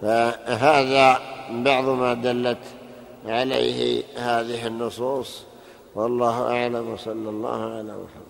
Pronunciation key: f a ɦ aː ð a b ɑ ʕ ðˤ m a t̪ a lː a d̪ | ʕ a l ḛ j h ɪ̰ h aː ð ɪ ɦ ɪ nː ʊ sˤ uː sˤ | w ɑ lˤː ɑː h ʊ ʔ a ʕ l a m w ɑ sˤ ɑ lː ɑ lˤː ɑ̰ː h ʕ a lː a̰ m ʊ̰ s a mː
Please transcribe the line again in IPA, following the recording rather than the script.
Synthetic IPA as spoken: f a ɦ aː ð a b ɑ ʕ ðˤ m a d̪ a lː a t̪ | ʕ a l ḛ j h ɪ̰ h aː ð ɪ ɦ ɪ nː ʊ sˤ uː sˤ | w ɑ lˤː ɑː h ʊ ʔ a ʕ l a m w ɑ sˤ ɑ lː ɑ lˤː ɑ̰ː h ʕ a l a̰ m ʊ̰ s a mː